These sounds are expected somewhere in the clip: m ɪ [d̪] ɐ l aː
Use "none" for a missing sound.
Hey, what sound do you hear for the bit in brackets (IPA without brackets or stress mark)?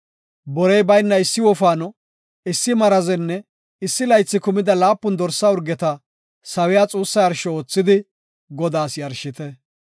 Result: d̪